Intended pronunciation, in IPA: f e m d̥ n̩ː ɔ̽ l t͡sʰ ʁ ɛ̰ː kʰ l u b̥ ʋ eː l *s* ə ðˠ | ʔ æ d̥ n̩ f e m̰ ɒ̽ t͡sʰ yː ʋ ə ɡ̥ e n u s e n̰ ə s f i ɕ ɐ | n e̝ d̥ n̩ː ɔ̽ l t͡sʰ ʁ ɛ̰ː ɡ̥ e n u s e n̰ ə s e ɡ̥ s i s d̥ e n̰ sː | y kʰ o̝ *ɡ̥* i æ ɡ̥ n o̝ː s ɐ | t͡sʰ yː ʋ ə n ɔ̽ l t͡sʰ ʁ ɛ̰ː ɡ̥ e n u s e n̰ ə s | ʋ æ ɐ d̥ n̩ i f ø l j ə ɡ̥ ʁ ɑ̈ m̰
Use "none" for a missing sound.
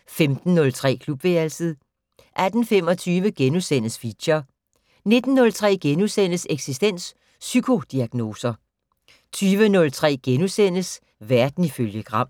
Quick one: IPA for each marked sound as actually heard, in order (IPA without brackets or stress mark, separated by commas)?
s, d̥